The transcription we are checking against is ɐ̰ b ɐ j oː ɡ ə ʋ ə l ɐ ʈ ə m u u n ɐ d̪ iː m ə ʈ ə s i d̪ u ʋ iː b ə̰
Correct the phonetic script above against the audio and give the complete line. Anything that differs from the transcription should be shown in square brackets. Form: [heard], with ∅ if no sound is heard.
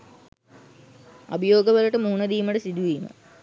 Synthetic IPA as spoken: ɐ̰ b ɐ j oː ɡ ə ʋ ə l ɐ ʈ ə m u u n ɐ d̪ iː m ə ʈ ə s i d̪ u ʋ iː [m] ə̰